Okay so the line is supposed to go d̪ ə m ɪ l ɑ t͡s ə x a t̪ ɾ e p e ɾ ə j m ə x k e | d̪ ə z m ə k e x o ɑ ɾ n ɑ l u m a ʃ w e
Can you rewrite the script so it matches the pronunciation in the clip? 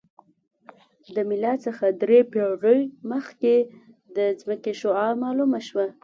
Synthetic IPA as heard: d̪ ə m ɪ l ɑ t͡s ə x a d̪ ɾ e p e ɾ ə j m ə x k e | d̪ ə z m ə k e ʃ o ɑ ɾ m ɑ l u m a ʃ w a